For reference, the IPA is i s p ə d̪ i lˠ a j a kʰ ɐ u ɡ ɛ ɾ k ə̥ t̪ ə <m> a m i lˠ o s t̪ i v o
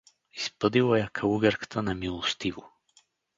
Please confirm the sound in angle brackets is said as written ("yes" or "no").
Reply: no